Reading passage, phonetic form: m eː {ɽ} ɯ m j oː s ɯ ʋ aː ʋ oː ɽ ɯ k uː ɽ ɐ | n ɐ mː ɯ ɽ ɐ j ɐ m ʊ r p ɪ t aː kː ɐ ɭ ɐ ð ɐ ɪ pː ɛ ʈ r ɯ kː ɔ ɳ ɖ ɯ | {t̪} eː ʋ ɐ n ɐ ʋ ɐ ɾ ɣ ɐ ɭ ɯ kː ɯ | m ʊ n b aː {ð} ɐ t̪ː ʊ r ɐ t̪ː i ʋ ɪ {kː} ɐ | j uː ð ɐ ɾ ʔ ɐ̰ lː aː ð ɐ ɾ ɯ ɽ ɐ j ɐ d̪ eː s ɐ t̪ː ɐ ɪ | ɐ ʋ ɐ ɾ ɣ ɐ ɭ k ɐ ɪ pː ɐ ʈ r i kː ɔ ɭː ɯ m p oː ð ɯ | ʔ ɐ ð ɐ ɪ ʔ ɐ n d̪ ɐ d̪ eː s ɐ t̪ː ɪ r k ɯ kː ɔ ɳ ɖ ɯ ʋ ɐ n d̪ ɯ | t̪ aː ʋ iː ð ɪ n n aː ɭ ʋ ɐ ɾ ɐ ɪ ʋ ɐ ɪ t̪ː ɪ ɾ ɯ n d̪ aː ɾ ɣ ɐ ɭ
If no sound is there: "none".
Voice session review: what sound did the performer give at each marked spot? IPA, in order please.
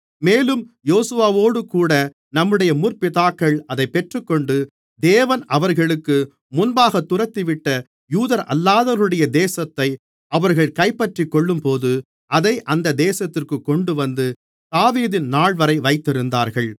l, d̪, ɣ, ʈː

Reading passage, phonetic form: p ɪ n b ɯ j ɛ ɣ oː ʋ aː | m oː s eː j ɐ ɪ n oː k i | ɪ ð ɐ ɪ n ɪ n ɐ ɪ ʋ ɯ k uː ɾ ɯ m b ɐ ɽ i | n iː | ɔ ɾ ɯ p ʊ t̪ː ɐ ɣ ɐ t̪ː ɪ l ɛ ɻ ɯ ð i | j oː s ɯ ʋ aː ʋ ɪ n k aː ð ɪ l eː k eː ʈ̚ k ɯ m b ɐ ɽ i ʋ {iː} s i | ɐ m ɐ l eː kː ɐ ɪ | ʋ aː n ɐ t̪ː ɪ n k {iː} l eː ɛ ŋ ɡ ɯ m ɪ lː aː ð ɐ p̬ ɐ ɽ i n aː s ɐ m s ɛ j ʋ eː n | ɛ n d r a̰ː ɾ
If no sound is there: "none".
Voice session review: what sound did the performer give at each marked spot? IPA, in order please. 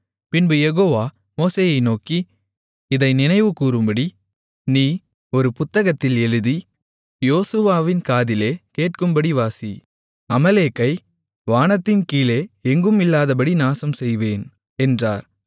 aː, iː

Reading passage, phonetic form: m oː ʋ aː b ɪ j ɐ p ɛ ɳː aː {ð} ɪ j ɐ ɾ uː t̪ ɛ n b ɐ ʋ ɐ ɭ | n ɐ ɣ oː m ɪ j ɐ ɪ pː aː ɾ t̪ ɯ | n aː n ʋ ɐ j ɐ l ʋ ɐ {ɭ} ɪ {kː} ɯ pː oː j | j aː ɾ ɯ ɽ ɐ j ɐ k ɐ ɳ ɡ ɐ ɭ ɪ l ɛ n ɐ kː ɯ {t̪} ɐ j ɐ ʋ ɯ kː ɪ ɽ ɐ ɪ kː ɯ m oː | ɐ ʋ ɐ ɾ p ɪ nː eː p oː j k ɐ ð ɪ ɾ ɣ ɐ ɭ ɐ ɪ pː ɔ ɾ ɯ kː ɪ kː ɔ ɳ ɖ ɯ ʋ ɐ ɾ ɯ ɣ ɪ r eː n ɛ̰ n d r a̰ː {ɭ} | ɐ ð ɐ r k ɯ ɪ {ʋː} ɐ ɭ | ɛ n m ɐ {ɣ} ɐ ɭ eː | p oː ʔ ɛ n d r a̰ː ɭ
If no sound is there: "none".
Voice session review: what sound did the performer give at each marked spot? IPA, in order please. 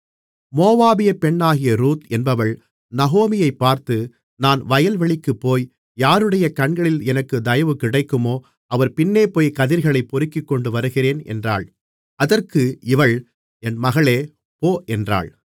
ɣ, ɭ, kː, d̪, ɭ, ʋ, ɣ

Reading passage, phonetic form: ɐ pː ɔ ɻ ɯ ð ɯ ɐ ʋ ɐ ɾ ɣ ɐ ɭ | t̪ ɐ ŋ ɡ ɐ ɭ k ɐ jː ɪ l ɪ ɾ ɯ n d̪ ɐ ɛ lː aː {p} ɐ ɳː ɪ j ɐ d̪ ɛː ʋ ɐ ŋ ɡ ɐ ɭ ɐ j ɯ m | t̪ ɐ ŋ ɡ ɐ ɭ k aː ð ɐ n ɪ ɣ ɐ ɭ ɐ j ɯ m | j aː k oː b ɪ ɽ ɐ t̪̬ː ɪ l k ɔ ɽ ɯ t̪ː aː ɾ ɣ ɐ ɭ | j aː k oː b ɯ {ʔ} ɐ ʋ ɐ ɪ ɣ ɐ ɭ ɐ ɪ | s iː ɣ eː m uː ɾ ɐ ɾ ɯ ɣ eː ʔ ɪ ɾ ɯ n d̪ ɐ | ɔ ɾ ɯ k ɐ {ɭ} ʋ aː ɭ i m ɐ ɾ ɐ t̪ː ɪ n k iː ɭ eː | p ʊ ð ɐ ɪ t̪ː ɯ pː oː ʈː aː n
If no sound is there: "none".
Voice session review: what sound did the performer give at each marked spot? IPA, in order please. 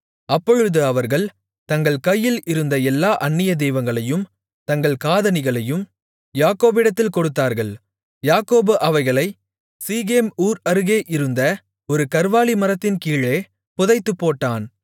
ʔ, ʔ, ɾ

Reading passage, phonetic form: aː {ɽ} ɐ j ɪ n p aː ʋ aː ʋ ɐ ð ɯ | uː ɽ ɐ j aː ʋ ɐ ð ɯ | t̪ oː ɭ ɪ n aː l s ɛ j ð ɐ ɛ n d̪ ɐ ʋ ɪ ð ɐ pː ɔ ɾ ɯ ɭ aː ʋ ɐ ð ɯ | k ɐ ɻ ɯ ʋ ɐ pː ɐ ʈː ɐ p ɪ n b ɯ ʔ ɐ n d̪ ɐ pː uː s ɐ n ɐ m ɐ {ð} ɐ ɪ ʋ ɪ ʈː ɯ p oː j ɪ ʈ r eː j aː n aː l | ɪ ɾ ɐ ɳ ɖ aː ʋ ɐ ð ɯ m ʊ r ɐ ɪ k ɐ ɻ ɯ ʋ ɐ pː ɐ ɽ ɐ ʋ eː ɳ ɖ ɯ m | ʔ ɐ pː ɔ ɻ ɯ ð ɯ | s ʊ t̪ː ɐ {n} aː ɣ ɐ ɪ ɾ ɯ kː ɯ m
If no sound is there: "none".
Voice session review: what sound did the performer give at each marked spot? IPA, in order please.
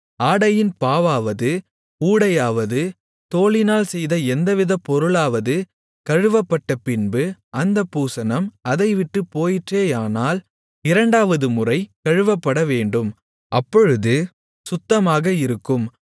ɽ, ð, m

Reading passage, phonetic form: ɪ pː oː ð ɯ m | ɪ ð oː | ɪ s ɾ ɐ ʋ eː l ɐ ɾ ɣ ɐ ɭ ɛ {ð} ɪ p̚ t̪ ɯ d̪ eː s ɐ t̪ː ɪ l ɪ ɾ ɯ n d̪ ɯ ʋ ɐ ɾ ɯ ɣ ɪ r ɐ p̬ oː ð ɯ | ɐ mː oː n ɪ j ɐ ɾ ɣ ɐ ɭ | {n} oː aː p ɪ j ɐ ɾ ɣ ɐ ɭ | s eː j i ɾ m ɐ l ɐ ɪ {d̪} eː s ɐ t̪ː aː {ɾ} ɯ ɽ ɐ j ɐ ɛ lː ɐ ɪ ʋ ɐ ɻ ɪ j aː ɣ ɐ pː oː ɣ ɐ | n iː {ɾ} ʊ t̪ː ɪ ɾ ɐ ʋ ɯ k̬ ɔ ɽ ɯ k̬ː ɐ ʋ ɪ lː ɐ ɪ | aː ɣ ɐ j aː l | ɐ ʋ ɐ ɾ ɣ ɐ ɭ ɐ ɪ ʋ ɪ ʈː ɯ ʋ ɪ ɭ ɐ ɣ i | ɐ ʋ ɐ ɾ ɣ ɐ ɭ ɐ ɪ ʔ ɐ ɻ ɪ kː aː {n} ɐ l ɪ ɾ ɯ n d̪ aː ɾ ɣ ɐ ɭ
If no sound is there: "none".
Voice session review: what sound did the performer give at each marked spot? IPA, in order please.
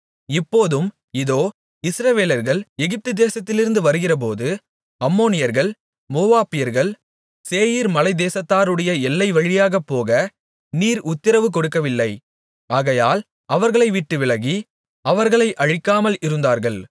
ɣ, m, d̪, ɾ, ɾ, m

